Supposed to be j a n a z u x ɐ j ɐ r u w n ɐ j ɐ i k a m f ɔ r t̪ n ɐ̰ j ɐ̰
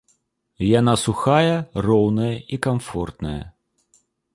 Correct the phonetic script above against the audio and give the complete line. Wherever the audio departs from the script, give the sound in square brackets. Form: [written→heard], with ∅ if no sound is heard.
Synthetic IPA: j a n a [z→s] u x [ɐ→a] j ɐ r [u→ɔ] w n ɐ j ɐ i k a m f ɔ r t̪ n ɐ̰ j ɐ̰